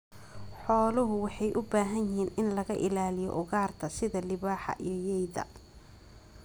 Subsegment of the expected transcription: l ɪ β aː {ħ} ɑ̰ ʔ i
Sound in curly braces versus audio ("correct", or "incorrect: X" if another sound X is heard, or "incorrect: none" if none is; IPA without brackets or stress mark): correct